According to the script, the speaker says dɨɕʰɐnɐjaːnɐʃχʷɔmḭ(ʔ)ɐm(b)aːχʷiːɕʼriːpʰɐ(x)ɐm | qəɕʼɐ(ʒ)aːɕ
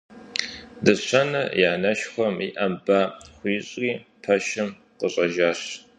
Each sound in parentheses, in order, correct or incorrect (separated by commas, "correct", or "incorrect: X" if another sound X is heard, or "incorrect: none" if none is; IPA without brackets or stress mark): correct, correct, incorrect: ʃ, correct